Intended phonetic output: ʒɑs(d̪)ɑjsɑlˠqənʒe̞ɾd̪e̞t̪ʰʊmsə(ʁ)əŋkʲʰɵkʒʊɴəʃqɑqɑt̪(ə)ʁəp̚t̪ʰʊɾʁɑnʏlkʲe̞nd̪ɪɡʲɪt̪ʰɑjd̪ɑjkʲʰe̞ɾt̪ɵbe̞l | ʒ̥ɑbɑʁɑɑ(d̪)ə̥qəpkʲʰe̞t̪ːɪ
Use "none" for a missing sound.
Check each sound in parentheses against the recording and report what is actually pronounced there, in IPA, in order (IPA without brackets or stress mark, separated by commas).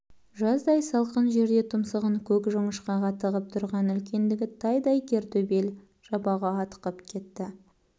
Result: d̪, ʁ, ə, t̪